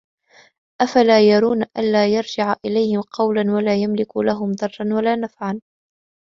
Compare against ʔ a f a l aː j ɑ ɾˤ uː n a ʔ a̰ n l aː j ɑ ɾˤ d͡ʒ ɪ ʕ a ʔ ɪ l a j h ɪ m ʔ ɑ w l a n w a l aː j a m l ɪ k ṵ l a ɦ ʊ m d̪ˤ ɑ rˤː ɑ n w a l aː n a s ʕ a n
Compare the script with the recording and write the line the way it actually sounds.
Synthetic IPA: ʔ a f a l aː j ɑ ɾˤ uː n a ʔ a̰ n l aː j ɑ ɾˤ d͡ʒ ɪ ʕ a ʔ ɪ l a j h ɪ m q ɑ w l a n w a l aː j a m l ɪ k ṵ l a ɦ ʊ m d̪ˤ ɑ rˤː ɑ n w a l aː n a f ʕ a n